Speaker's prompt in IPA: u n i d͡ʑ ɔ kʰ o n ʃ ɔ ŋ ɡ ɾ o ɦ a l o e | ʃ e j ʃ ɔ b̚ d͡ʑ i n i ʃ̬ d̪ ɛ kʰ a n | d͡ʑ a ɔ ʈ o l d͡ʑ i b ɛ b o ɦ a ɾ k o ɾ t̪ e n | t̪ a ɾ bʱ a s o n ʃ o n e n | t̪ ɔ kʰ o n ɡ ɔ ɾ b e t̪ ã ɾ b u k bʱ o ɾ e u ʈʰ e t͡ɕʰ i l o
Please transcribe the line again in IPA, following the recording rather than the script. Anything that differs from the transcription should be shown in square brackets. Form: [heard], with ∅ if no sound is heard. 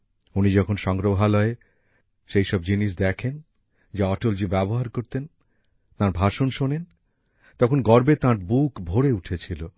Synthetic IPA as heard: u n i d͡ʑ ɔ kʰ o n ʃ ɔ ŋ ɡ ɾ o ɦ a l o e | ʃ e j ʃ ɔ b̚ d͡ʑ i n i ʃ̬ d̪ ɛ kʰ [e] n | d͡ʑ a ɔ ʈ o l d͡ʑ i b ɛ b o ɦ a ɾ k o ɾ t̪ e n | t̪ a ɾ bʱ a [ʃ] o n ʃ o n e n | t̪ ɔ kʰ o n ɡ ɔ ɾ b e t̪ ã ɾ b u k bʱ o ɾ e u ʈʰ e t͡ɕʰ i l o

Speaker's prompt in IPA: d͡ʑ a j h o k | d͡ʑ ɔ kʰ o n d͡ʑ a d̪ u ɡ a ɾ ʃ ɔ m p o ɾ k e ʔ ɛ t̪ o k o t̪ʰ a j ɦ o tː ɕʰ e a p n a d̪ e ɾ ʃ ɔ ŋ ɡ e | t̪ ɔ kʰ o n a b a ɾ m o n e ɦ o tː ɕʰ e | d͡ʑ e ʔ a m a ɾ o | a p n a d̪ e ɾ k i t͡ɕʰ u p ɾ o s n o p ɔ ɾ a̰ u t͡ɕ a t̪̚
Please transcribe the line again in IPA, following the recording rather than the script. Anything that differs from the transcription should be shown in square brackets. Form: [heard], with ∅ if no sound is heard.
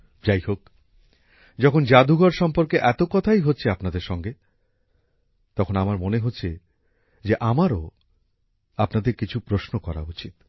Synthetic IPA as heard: d͡ʑ a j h o k | d͡ʑ ɔ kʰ o n d͡ʑ a d̪ u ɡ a ɾ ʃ ɔ m p o ɾ k e ʔ ɛ t̪ o k [ɔ] t̪ʰ a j ɦ o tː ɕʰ e a p n a d̪ e ɾ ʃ ɔ ŋ ɡ e | t̪ ɔ kʰ o n a [m] a ɾ m o n e ɦ o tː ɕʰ e | d͡ʑ e ʔ a m a ɾ o | a p n a d̪ e ɾ k i t͡ɕʰ u p ɾ o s n o [k] ɔ ɾ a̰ u t͡ɕ [i] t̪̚

